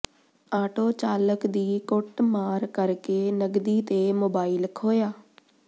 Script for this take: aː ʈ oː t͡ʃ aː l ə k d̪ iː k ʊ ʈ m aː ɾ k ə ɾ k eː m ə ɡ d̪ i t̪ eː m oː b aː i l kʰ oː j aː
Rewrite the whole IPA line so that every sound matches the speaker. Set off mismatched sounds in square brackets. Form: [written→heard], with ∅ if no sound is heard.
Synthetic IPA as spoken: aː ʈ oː t͡ʃ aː l ə k d̪ iː k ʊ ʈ m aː ɾ k ə ɾ k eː [m→n] ə ɡ d̪ [i→iː] t̪ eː m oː b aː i l kʰ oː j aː